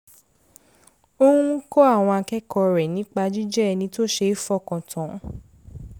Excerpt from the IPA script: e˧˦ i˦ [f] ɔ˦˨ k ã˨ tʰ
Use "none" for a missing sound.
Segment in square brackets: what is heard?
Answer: f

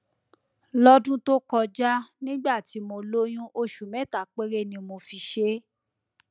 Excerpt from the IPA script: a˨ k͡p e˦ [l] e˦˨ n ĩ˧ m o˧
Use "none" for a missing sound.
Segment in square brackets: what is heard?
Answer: ɾ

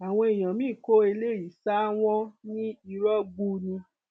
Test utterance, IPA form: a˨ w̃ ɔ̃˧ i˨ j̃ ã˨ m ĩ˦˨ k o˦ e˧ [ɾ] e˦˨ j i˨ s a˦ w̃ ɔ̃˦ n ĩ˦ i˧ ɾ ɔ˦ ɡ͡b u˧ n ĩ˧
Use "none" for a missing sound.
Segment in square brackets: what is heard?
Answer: l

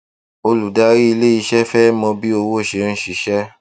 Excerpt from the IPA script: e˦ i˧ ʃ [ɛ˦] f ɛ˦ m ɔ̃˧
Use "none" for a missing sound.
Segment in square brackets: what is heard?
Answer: ɛ˦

